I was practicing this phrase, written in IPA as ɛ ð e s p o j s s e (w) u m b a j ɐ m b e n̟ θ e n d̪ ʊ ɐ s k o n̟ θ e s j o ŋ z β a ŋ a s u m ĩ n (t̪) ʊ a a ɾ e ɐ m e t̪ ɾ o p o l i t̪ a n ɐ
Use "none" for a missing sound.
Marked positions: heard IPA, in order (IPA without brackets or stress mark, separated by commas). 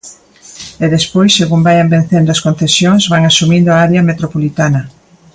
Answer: ɣ, d̪